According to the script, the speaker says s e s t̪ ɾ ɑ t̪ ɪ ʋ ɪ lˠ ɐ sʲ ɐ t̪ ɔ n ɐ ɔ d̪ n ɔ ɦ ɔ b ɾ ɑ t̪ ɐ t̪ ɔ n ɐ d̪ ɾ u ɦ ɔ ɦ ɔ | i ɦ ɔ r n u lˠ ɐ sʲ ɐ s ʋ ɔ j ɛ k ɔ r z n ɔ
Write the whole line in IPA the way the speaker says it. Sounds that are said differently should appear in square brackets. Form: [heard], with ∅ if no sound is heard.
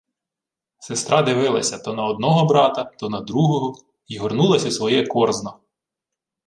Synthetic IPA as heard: s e s t̪ ɾ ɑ [d̪] ɪ ʋ ɪ lˠ ɐ sʲ ɐ t̪ ɔ n ɐ ɔ d̪ n ɔ ɦ ɔ b ɾ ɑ t̪ ɐ t̪ ɔ n ɐ d̪ ɾ u ɦ ɔ ɦ ɔ | i ɦ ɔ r n u lˠ ɐ sʲ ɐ s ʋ ɔ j ɛ k ɔ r z n ɔ